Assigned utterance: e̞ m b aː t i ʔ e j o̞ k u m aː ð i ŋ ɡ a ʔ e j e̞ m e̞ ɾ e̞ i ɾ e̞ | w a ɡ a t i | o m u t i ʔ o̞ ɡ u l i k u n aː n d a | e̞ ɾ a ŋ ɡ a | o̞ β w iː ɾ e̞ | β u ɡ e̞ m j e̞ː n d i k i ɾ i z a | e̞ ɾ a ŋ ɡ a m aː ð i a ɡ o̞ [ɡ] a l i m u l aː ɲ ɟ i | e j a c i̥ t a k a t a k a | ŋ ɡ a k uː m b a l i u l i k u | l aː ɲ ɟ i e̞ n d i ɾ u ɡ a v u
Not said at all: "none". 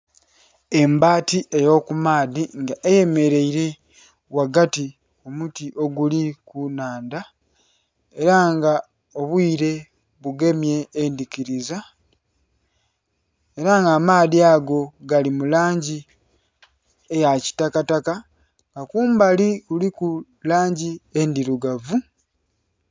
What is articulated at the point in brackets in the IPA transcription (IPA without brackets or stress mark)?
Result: ɡ